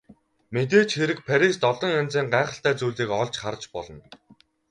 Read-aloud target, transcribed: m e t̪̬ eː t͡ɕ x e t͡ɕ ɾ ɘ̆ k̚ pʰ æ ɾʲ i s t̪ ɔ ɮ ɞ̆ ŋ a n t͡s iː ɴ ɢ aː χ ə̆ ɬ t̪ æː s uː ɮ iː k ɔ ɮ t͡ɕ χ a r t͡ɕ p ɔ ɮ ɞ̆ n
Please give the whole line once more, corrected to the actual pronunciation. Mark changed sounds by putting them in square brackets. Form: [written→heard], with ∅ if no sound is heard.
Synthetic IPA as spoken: m e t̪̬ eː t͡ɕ x e [t͡ɕ→∅] ɾ ɘ̆ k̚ pʰ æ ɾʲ i s t̪ ɔ ɮ ɞ̆ ŋ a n t͡s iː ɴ ɢ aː χ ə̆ ɬ t̪ æː [s→t͡s] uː ɮ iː k ɔ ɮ t͡ɕ χ a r t͡ɕ p ɔ ɮ ɞ̆ n